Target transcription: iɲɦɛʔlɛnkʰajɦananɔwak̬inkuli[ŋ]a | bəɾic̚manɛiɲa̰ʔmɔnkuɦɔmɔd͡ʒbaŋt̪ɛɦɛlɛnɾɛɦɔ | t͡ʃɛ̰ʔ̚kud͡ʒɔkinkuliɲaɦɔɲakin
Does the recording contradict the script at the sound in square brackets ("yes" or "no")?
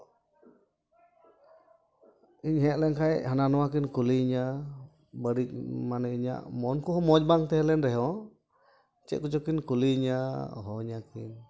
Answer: yes